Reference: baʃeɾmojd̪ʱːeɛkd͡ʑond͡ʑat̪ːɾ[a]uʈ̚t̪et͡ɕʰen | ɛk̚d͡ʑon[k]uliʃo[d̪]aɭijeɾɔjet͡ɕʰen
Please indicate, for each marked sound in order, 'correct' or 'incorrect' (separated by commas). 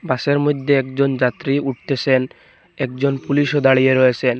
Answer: incorrect, incorrect, correct